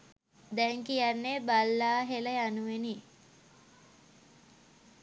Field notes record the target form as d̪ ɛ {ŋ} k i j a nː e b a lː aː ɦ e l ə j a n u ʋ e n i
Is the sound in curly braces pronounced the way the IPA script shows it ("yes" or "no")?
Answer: yes